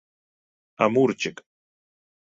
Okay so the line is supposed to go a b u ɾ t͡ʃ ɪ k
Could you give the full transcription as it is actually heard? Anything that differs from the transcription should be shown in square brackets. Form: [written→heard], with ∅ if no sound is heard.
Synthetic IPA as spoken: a [b→m] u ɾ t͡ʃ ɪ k